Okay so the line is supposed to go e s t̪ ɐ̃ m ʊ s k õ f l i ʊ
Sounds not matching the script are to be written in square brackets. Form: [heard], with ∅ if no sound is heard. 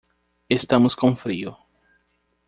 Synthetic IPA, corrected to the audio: e s t̪ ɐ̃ m ʊ s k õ f [ɾ] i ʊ